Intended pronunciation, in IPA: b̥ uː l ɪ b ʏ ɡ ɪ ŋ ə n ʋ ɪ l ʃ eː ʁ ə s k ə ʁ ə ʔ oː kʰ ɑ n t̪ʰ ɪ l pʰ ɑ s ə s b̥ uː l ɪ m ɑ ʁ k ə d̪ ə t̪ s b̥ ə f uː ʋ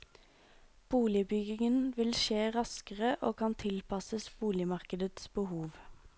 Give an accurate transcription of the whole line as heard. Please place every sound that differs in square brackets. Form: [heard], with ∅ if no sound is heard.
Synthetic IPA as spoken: b̥ uː l ɪ b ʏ ɡ ɪ ŋ ə n ʋ ɪ l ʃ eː ʁ [ɑ] s k ə ʁ ə ʔ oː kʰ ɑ n t̪ʰ ɪ l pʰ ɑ s ə s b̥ uː l ɪ m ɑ ʁ k ə d̪ ə t̪ s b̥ ə [h] uː ʋ